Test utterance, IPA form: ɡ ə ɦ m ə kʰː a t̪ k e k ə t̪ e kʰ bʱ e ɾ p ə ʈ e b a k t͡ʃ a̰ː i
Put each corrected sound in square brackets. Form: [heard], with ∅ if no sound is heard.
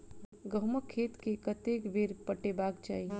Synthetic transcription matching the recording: ɡ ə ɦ m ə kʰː [e] t̪ k e k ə t̪ e [k] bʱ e ɾ p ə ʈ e b a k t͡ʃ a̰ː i